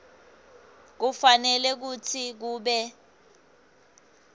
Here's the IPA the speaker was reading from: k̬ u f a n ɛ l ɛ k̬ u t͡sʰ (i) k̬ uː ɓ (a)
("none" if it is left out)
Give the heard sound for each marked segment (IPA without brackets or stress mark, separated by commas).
i, ɛ